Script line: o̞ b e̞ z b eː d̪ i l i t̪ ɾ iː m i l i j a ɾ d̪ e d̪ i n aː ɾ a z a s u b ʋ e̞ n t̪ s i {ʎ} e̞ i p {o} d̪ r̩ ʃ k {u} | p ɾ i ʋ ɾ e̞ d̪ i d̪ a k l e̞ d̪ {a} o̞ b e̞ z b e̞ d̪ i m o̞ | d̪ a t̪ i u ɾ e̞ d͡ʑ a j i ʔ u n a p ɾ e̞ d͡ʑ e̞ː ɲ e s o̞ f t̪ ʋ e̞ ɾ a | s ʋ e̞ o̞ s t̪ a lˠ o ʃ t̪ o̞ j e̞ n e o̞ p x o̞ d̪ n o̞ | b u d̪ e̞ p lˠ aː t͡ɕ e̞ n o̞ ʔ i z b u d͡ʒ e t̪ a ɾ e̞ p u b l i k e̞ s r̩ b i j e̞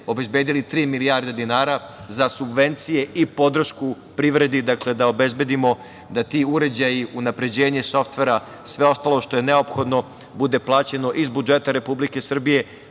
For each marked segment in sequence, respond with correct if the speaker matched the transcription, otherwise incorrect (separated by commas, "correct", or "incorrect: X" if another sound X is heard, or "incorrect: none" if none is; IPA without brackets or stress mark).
incorrect: j, correct, correct, correct